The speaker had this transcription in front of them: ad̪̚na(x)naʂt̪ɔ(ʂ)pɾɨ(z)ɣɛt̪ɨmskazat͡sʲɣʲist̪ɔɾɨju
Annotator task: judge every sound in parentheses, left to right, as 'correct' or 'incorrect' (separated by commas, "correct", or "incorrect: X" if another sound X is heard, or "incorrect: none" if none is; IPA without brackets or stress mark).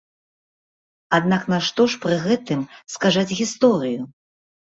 incorrect: k, correct, incorrect: none